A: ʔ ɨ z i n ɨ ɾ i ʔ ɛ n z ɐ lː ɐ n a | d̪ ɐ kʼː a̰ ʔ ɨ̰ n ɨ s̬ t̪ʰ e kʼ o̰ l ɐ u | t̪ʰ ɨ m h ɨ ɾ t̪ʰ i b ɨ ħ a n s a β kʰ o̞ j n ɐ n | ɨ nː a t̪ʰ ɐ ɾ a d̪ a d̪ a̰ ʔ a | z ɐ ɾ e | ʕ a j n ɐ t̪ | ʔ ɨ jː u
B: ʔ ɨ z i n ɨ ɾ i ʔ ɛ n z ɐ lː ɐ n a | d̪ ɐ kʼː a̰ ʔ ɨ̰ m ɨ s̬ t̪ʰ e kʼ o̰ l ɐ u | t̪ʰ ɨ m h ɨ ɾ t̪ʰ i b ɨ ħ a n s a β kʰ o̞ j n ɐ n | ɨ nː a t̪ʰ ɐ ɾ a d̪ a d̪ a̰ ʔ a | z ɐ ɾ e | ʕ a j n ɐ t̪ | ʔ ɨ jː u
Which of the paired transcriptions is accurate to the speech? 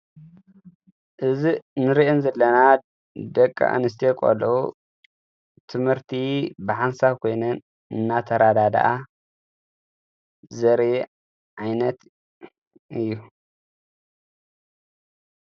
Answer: A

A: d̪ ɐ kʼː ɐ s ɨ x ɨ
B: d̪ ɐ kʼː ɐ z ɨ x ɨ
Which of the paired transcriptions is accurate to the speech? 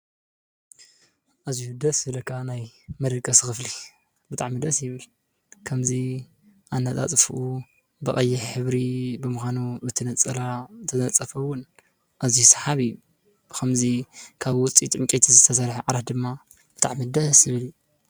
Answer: A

